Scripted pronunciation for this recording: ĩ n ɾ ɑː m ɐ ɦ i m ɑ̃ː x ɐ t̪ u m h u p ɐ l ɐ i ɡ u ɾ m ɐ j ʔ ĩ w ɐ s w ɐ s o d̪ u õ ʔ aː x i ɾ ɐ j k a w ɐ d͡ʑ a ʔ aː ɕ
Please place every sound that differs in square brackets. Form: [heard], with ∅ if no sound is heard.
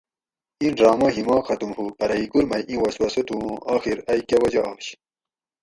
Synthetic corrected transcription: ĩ n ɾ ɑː m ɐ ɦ i m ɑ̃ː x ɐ t̪ u m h u p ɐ [ɾ] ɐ i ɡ u ɾ m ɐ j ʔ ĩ w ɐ s w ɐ s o [t̪] u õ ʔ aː x i ɾ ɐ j k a w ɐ d͡ʑ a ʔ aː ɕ